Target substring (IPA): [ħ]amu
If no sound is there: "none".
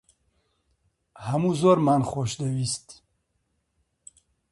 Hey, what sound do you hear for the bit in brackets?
h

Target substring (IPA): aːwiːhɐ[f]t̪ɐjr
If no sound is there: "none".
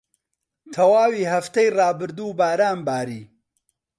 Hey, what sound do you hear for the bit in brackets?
f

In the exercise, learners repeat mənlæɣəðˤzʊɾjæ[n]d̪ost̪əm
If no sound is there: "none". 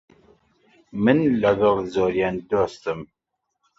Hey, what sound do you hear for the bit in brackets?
n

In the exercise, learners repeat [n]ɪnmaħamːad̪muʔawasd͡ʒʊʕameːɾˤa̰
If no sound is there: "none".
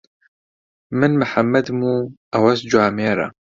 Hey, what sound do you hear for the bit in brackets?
m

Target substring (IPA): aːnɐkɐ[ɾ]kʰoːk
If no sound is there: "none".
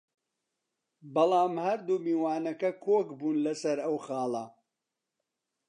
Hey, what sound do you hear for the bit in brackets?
none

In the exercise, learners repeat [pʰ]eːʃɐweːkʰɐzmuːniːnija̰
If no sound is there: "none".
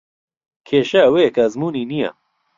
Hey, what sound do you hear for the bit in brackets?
kʰ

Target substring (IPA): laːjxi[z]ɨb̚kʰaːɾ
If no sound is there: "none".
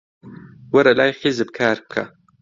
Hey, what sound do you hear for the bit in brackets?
z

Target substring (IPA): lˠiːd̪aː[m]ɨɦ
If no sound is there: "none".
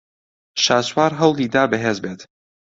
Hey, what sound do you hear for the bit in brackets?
b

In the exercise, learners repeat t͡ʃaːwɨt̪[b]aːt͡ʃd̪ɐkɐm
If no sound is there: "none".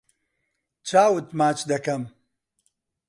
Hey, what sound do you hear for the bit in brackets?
m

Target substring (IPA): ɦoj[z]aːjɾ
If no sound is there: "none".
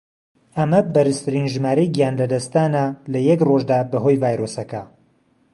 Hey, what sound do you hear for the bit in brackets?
v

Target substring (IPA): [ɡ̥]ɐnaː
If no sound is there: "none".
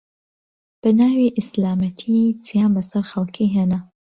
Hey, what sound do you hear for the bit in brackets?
b̥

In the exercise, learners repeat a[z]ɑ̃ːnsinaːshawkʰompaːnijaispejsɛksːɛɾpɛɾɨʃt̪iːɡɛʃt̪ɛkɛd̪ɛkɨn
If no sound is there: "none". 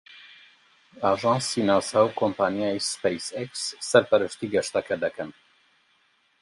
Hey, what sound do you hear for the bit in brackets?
ʒ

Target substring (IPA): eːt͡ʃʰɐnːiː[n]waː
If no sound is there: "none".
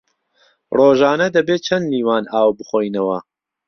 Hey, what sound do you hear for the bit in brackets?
none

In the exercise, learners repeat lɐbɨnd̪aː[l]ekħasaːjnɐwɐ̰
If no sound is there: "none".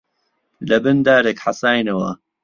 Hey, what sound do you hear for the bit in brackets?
ɾ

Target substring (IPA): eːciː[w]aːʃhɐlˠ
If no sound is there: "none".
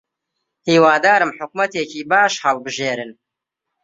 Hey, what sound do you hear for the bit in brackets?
b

